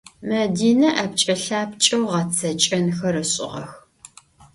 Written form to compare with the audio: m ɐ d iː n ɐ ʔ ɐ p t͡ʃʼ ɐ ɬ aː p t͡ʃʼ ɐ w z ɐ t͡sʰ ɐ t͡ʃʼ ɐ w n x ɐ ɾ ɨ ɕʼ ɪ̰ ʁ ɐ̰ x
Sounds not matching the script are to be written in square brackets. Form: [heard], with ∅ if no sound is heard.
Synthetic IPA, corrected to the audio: m ɐ d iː n ɐ ʔ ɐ p t͡ʃʼ ɐ ɬ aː p t͡ʃʼ ɐ w [ʁ] ɐ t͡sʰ ɐ t͡ʃʼ ɐ [∅] n x ɐ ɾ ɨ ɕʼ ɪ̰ ʁ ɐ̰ x